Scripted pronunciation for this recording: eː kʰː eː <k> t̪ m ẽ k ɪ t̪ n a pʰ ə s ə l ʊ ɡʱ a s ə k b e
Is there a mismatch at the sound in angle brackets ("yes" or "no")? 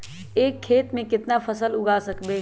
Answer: yes